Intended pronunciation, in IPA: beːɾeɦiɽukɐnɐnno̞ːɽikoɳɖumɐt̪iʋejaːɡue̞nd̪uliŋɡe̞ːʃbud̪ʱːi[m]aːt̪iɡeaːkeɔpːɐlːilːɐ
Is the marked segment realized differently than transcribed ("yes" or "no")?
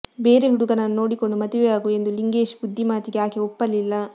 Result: no